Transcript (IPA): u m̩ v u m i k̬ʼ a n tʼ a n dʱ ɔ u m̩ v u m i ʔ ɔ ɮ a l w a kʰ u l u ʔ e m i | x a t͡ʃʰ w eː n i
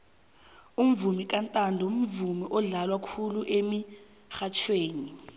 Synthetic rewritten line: u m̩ v u m i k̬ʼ a n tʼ a n dʱ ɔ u m̩ v u m i ʔ ɔ ɮ a l w a kʰ u l u ʔ e m i | x a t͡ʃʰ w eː n i